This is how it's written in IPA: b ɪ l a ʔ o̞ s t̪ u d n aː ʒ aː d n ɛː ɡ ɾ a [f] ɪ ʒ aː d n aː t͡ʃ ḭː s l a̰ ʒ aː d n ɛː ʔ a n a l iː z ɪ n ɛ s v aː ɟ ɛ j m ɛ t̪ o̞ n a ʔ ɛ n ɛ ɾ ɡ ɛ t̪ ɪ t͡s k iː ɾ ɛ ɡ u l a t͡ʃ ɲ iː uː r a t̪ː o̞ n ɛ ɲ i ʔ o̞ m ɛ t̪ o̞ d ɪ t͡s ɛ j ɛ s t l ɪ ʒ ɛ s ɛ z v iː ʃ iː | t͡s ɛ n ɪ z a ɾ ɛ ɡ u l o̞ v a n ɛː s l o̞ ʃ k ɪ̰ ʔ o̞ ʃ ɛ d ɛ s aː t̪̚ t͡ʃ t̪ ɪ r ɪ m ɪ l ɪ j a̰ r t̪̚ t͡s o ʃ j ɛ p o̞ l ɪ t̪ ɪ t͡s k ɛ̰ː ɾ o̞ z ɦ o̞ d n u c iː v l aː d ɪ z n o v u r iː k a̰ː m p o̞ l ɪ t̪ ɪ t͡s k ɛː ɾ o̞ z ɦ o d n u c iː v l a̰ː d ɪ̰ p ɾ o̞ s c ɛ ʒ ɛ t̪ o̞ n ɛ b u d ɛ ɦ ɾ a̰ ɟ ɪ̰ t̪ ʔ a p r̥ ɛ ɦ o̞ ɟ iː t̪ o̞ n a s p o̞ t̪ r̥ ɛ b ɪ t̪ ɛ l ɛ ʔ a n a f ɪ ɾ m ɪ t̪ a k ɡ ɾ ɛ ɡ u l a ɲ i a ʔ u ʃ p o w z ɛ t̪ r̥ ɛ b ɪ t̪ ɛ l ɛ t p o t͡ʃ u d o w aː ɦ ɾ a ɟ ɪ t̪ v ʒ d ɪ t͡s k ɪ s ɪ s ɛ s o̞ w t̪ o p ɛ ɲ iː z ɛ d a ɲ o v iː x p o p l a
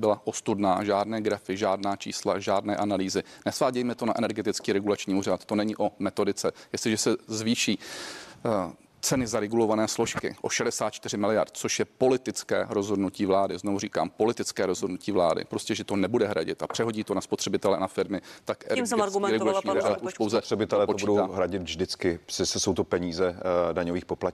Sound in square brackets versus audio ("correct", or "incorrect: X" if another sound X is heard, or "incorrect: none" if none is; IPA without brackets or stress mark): correct